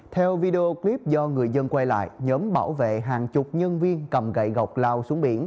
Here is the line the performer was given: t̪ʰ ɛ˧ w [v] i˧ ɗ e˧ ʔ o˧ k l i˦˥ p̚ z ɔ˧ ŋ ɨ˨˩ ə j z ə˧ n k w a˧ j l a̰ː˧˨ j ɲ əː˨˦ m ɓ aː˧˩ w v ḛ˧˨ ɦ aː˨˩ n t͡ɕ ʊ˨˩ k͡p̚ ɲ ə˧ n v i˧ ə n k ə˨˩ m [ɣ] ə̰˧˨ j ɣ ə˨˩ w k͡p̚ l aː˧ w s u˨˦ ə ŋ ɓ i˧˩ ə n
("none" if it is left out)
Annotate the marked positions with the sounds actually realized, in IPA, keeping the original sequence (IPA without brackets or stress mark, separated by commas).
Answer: v, ɣ